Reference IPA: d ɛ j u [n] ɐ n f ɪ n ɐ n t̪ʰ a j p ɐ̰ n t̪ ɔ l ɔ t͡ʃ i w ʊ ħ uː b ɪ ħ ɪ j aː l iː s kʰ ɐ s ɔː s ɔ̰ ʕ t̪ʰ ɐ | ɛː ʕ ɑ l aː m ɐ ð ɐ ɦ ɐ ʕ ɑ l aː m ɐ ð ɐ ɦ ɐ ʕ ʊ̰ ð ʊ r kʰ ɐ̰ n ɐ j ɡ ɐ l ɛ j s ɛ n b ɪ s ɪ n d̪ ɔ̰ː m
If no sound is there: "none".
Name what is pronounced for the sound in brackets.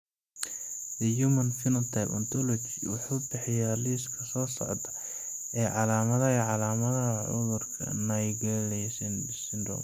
m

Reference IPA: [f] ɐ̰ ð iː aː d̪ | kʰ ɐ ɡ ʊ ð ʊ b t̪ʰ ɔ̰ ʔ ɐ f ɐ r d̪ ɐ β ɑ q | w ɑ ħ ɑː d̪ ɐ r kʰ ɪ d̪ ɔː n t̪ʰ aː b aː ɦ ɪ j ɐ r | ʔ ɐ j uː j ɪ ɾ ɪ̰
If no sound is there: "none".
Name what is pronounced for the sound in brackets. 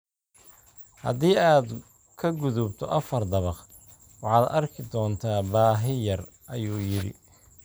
h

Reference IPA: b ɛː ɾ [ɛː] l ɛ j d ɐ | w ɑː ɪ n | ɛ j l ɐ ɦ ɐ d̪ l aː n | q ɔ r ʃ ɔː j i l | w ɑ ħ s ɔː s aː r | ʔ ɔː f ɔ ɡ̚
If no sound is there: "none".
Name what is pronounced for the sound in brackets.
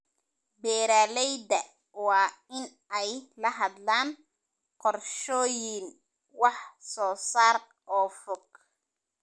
aː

